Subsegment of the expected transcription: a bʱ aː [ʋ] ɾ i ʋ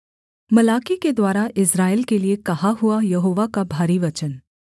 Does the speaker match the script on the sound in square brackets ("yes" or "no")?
no